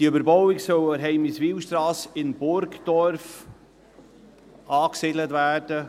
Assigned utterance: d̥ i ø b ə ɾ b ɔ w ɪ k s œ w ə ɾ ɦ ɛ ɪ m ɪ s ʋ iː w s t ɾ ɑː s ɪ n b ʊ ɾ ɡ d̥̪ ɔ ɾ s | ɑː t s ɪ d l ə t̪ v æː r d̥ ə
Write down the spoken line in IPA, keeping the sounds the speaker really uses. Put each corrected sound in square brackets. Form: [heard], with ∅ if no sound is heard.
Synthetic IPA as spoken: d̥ i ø b ə ɾ b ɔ w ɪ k s œ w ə ɾ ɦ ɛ ɪ m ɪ s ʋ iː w [ʃ] t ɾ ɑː s ɪ n b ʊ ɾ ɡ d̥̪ ɔ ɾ [f] | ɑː [k] s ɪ d l ə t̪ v æː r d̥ ə